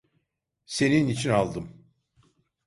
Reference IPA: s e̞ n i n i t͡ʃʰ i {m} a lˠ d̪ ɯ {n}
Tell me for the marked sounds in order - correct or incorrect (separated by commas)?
incorrect, incorrect